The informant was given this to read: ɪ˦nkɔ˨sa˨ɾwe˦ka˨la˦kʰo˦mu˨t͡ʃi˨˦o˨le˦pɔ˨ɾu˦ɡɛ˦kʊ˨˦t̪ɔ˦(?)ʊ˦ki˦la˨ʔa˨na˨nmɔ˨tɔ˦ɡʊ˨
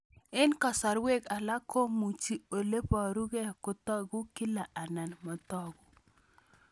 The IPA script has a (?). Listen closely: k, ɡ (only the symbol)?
ɡ